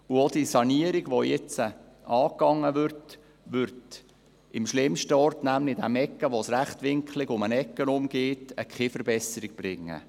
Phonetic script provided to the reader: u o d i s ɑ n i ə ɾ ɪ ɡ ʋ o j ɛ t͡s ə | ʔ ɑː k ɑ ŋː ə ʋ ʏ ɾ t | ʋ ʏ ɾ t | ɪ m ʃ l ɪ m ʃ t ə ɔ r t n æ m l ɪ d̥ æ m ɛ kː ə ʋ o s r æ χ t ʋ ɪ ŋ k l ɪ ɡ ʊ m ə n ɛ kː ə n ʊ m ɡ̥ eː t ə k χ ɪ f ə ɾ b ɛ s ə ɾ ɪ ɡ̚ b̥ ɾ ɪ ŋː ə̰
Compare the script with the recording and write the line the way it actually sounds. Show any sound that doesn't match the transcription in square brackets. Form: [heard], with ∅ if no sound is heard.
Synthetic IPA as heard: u o d i s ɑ n i ə ɾ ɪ ɡ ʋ o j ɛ t͡s ə | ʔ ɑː k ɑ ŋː ə ʋ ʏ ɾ t | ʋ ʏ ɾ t | ɪ m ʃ l ɪ m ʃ t ə ɔ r t n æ m l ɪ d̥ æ m ɛ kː ə ʋ o s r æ χ t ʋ ɪ ŋ k l ɪ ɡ ʊ m ə n ɛ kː ə n ʊ m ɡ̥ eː t ə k χ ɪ f ə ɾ b ɛ s ə ɾ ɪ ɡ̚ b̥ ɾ ɪ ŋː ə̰

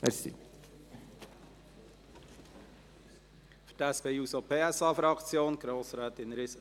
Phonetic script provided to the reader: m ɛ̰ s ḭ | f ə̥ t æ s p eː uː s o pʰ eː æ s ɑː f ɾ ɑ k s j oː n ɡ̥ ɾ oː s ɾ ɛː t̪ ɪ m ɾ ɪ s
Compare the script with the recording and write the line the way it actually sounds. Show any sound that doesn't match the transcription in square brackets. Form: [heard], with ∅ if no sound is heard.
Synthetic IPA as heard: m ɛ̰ s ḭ | f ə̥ t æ s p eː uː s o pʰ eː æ s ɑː f ɾ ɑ k [t͡s] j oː n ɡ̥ ɾ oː s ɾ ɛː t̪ ɪ [n] ɾ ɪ s

